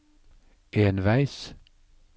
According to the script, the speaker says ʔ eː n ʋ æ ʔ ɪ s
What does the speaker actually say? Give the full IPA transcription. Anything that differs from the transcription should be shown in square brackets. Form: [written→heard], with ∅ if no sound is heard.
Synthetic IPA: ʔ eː n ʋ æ [ʔ→∅] ɪ s